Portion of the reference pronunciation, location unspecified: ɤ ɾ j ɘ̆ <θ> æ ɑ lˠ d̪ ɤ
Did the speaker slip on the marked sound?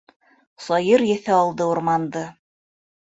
no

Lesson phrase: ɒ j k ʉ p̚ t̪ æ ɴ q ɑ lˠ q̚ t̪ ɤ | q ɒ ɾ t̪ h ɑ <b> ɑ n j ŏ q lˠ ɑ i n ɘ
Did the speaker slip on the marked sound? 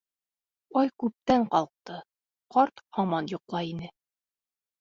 yes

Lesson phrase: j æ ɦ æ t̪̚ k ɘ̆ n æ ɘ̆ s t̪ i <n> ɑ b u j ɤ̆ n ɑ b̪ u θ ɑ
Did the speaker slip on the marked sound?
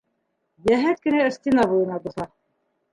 no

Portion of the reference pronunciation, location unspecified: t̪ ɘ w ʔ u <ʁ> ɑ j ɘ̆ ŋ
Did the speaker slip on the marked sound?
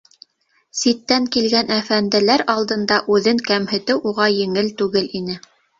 no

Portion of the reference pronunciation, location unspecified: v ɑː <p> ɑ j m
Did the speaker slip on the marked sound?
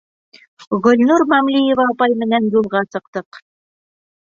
no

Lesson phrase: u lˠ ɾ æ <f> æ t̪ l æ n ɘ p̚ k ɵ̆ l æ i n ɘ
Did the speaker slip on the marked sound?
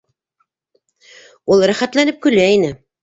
yes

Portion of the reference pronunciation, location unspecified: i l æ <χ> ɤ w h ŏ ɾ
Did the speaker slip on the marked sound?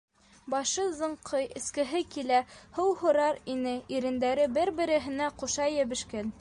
yes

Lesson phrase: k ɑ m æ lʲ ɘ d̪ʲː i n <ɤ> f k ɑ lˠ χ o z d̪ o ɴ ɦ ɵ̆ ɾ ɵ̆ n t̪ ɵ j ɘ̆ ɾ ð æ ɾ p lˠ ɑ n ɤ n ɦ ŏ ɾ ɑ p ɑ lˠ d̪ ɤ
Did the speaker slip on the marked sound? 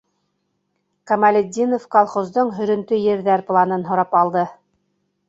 yes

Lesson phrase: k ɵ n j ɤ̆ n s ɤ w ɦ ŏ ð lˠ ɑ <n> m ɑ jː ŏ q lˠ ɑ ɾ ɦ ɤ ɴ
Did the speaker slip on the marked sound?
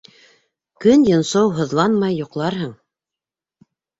no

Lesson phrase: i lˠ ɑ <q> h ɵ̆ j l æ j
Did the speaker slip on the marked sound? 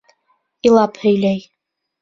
yes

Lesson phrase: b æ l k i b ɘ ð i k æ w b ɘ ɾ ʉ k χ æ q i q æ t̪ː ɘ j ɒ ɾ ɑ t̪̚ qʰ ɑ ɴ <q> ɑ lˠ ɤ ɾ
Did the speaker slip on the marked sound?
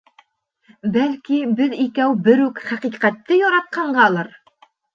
yes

